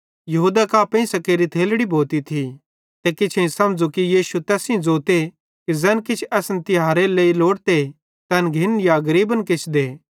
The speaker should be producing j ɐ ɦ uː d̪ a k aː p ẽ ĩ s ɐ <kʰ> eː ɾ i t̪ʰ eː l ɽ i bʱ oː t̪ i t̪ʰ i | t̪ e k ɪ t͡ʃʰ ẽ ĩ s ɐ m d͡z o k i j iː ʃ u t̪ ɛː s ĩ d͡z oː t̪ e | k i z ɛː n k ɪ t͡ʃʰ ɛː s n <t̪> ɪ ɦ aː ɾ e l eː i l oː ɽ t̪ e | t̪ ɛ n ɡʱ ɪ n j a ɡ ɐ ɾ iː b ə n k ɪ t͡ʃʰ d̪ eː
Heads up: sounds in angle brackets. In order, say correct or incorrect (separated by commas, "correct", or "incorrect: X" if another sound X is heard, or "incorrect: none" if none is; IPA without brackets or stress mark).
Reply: incorrect: k, correct